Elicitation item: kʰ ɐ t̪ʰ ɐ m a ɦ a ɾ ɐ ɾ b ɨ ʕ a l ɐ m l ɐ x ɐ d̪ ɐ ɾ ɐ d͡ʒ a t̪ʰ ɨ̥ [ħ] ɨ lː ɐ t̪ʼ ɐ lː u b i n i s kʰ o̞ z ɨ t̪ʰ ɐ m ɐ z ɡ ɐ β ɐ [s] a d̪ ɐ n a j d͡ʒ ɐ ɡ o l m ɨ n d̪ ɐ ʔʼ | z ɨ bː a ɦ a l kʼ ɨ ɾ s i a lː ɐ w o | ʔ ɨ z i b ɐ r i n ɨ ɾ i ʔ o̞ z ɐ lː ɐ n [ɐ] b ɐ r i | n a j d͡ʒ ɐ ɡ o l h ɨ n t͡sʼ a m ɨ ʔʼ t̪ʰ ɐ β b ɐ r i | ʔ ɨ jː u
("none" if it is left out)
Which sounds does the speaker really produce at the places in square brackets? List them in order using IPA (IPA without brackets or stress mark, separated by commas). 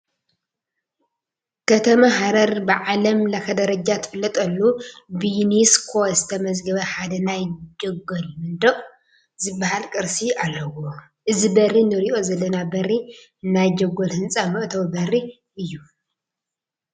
f, ħ, a